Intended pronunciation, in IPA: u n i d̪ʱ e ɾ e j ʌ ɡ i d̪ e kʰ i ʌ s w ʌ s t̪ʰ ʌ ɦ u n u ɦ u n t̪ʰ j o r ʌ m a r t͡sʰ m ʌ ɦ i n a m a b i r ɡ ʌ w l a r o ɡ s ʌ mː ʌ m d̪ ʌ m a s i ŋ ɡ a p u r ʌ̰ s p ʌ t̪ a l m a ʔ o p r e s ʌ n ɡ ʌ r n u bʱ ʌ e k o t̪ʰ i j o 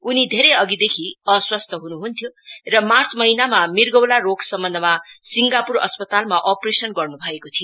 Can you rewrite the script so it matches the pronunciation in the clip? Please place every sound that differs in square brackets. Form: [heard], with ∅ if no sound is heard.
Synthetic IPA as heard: u n i d̪ʱ e ɾ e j ʌ ɡ i d̪ e kʰ i ʌ s w ʌ s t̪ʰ ʌ ɦ u n u ɦ u n t̪ʰ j o r ʌ m a r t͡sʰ m ʌ ɦ i n a m a [m] i r ɡ ʌ w l a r o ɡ s ʌ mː ʌ [n] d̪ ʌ m a s i ŋ ɡ a p u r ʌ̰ s p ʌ t̪ a l m a ʔ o p r e s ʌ n ɡ ʌ r n u bʱ ʌ e k o t̪ʰ i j o